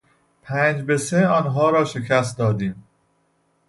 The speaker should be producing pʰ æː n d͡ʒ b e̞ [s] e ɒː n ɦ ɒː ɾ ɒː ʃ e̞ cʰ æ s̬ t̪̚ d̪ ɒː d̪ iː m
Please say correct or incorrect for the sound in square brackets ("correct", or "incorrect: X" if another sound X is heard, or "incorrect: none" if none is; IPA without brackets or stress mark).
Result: correct